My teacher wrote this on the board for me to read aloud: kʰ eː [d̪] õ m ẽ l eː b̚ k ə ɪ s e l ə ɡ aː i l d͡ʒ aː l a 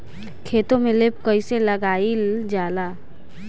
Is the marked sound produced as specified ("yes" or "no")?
no